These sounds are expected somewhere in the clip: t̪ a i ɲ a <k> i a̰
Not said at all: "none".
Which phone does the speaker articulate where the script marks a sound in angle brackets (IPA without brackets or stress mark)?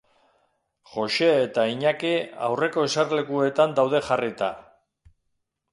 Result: k